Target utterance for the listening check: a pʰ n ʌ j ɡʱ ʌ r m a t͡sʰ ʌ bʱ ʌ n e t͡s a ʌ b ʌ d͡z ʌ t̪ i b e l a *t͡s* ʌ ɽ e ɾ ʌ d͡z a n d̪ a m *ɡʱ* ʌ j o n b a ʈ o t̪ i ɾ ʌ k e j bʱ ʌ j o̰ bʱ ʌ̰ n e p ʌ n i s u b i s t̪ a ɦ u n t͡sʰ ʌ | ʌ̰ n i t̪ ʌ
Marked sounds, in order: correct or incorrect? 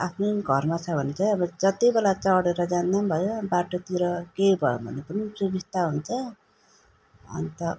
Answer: correct, incorrect

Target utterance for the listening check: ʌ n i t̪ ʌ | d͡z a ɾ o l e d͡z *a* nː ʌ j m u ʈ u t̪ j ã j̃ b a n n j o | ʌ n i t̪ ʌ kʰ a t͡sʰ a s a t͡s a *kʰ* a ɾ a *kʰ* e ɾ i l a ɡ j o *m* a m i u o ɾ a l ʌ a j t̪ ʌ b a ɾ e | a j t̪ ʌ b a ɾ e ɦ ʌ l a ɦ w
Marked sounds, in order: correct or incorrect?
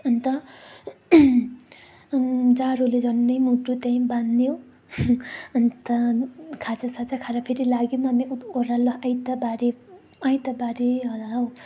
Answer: incorrect, correct, incorrect, correct

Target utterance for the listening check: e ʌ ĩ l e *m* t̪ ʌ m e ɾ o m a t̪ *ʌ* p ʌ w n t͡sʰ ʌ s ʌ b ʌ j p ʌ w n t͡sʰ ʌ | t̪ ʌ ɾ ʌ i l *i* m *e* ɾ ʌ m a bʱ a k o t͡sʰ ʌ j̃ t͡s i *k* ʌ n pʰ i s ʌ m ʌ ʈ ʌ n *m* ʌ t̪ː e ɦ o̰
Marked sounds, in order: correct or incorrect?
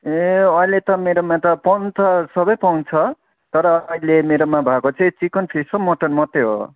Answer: incorrect, correct, incorrect, correct, correct, correct

